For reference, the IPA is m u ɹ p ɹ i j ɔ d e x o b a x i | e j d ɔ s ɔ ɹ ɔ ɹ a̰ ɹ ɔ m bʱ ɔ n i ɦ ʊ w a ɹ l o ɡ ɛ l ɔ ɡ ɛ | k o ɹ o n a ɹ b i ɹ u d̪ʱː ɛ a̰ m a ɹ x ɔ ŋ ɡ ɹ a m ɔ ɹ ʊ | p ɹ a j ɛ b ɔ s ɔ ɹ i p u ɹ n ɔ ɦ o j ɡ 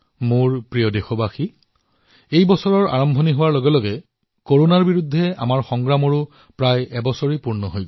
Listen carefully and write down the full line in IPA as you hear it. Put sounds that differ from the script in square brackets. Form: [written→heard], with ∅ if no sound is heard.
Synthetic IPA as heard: m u ɹ p ɹ i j ɔ d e x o b a x i | e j [d→b] ɔ s ɔ ɹ ɔ ɹ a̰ ɹ ɔ m bʱ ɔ n i ɦ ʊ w a ɹ l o ɡ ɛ l ɔ ɡ ɛ | k o ɹ o n a ɹ b i ɹ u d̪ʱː ɛ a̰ m a ɹ x ɔ ŋ ɡ ɹ a m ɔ ɹ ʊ | p ɹ a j ɛ b ɔ s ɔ ɹ i p u ɹ n ɔ ɦ o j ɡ